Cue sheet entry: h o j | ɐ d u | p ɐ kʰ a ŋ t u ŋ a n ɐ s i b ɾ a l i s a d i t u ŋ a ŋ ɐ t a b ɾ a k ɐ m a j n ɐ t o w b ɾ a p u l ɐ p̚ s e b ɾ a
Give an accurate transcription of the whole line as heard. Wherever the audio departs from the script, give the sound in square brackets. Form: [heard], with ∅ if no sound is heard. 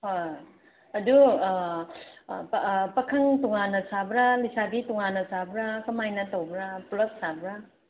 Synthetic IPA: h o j | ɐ d u | p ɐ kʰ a ŋ t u ŋ a n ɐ s [a] b ɾ a l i s a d i t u ŋ a [n] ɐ [s] a b ɾ a k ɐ m a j n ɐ t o w b ɾ a p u l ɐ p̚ s [a] b ɾ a